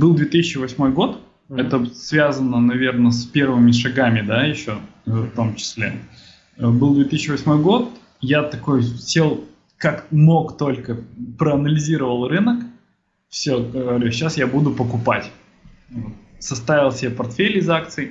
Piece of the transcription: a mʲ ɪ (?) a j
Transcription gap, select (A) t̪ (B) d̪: B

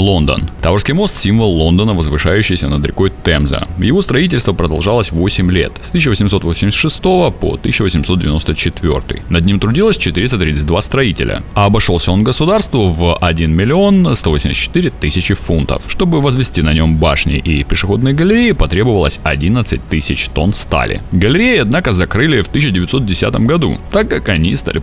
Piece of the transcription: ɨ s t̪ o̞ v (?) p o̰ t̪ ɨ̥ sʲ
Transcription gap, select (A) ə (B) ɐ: A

